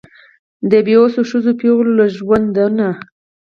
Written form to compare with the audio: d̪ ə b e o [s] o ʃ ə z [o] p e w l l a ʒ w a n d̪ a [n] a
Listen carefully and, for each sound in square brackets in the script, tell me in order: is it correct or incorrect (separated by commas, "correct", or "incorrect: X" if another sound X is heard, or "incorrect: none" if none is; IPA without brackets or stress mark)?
correct, correct, correct